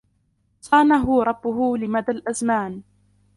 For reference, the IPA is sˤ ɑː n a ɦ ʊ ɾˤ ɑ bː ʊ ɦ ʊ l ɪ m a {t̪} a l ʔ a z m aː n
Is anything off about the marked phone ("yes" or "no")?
yes